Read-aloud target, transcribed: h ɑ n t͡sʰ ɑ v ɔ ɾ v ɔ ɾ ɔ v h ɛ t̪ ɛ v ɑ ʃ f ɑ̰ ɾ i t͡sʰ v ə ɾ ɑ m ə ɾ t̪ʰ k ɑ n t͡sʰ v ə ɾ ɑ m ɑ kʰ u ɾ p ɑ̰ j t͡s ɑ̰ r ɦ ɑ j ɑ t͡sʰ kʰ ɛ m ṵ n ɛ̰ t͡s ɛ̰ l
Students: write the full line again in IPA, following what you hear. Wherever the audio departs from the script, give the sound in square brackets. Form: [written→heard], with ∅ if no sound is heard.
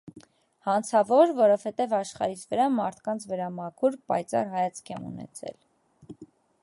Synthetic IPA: h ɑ n t͡sʰ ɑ v ɔ ɾ v ɔ ɾ ɔ v h ɛ t̪ ɛ v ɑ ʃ [f→χ] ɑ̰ ɾ i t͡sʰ v ə ɾ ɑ m [ə→ɑ] ɾ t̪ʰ k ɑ n t͡sʰ v ə ɾ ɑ m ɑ kʰ u ɾ p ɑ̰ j t͡s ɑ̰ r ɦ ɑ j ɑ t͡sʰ kʰ ɛ m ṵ n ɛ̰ [t͡s→t͡sʰ] ɛ̰ l